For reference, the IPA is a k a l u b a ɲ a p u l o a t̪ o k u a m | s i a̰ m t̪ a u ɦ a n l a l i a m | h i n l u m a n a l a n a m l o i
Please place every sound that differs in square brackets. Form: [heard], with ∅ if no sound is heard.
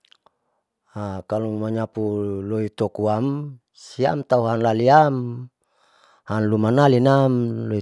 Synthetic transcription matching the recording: a k a l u [m] a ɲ a p u l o [i] t̪ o k u a m | s i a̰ m t̪ a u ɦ a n l a l i a m | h [a] n l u m a n a l [i] n a m l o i